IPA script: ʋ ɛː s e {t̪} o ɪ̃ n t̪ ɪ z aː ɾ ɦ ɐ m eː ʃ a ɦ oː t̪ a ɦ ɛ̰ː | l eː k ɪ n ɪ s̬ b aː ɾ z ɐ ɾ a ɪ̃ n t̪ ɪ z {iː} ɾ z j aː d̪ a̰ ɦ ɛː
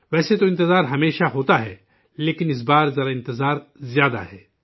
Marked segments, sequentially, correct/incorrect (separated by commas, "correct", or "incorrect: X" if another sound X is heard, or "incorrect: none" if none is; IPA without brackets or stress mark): correct, incorrect: aː